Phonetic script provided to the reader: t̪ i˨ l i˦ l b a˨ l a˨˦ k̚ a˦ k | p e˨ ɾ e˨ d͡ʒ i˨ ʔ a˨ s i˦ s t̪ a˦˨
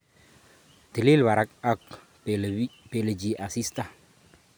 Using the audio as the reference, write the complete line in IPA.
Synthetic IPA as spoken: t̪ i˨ l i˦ l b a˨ ɾ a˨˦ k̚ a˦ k | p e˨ l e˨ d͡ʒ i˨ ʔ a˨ s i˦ s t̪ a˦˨